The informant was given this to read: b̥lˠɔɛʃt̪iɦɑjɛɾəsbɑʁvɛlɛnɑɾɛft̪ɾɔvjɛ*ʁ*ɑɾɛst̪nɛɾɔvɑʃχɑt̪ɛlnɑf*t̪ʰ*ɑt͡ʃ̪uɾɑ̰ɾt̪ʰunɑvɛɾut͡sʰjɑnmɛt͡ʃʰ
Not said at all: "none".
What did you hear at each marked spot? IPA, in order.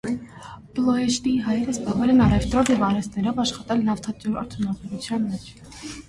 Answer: v, t̪ʰ

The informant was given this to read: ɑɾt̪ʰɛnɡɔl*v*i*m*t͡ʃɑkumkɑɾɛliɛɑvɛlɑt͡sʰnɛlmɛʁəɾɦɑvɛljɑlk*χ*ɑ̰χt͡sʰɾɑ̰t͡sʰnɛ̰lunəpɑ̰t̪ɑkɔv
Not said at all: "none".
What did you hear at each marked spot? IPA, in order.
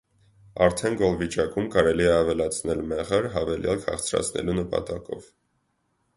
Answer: v, none, h

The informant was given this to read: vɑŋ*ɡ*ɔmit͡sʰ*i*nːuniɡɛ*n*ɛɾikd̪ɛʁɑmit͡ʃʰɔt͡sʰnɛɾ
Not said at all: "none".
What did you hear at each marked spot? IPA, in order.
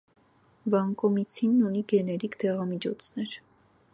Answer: k, i, n

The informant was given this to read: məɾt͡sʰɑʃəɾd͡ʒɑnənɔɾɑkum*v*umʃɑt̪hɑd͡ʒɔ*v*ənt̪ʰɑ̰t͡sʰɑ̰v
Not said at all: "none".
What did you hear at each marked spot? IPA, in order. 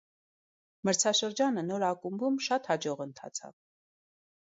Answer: b, ʁ

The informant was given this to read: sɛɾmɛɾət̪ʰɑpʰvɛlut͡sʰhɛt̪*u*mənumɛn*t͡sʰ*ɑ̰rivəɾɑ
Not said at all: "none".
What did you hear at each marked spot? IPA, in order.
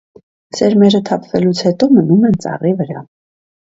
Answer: ɔ, t͡s

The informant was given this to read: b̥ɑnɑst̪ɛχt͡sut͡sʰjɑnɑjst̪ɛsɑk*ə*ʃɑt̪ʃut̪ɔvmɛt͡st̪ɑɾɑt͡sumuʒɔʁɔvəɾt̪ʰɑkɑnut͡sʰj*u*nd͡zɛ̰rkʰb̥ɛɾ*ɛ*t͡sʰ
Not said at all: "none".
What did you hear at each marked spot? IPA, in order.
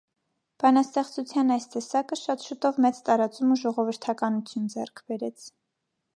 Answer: ə, u, ɛ

